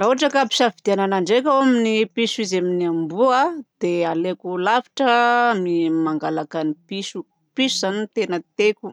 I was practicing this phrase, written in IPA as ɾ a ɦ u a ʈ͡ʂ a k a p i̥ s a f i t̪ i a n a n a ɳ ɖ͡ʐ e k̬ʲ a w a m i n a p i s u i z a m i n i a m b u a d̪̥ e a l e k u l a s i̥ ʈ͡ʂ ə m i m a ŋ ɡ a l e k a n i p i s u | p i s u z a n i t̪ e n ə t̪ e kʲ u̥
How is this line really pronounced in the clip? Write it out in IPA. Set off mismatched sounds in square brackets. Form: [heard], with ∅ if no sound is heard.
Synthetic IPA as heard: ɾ a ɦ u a ʈ͡ʂ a k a p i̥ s a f i [d̪] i a n a n a ɳ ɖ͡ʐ e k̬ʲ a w a m i n [i] p i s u i z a m i n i a m b u a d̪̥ e a l e k u l a [f] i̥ ʈ͡ʂ ə m i m a ŋ ɡ a l [a] k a n i p i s u | p i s u z a n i t̪ e n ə t̪ e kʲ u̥